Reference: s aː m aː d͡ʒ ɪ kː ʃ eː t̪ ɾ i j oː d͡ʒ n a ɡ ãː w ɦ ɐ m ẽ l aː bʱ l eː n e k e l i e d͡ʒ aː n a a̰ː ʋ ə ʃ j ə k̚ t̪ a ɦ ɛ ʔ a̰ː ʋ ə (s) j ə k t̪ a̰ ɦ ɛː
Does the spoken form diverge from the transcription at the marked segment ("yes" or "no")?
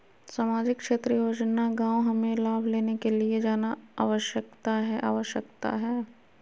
yes